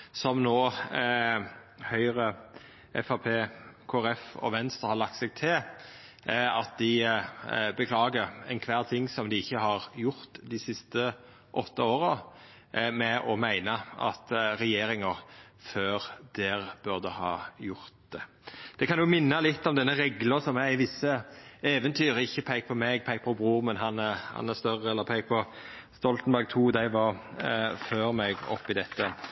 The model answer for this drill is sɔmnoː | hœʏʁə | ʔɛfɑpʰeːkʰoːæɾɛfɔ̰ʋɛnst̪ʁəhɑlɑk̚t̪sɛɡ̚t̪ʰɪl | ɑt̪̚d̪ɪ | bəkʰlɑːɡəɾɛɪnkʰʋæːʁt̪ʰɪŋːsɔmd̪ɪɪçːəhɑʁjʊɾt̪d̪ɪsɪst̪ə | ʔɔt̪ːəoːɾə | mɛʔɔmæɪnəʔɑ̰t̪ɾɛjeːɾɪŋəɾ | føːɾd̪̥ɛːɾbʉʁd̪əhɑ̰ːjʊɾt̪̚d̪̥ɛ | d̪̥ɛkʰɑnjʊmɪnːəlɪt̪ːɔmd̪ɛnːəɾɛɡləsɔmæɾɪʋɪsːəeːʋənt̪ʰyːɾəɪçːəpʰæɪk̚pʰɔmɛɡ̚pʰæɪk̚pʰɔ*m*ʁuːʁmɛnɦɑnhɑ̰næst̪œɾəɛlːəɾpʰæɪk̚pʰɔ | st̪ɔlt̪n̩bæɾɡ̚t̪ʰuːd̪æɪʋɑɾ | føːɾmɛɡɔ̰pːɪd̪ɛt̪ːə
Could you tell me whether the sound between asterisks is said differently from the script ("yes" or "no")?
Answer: yes